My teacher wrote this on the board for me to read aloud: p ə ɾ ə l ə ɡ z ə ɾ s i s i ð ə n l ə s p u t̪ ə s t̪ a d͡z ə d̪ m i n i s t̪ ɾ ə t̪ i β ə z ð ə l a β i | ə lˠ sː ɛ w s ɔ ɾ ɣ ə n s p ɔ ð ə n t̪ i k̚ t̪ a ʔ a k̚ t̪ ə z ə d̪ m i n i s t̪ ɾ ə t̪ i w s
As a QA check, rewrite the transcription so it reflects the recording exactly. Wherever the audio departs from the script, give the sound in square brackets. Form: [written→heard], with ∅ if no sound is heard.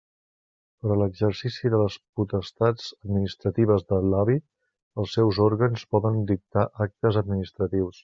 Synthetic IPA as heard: p ə ɾ ə l ə ɡ z ə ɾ s i s i ð ə [n→∅] l ə s p u t̪ ə s t̪ a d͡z ə d̪ m i n i s t̪ ɾ ə t̪ i β ə z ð ə l a β i | ə lˠ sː ɛ w [s→z] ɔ ɾ ɣ ə n s p ɔ ð ə n [t̪→d̪] i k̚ t̪ a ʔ a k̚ t̪ ə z ə d̪ m i n i s t̪ ɾ ə t̪ i w s